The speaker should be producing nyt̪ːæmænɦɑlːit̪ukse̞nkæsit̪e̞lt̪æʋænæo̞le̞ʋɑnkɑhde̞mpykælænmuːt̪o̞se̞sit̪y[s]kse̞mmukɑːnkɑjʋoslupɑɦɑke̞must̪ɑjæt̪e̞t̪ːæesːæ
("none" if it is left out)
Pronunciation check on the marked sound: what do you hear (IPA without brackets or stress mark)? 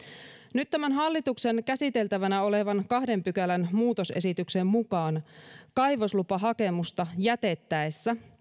none